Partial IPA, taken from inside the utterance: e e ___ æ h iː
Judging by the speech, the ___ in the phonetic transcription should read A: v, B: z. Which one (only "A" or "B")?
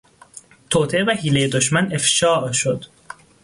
A